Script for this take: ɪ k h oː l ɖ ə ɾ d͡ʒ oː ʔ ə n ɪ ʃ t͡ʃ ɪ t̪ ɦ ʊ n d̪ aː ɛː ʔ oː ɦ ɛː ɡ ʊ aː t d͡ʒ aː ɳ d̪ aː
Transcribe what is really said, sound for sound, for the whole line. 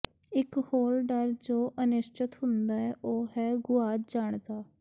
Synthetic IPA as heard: ɪ k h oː ɾ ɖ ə ɾ d͡ʒ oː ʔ ə n ɪ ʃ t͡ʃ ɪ t̪ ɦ ʊ n d̪ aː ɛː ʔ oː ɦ ɛː ɡ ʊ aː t d͡ʒ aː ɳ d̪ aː